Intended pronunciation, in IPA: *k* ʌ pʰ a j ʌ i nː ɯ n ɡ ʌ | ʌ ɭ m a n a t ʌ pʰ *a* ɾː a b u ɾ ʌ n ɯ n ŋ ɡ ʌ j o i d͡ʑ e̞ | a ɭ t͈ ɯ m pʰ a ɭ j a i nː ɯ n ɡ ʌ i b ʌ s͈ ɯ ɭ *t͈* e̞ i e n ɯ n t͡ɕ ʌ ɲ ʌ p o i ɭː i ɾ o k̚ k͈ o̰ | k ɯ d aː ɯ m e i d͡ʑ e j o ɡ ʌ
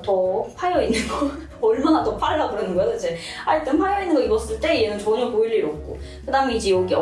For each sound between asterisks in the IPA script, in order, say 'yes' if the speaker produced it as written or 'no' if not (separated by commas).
no, yes, yes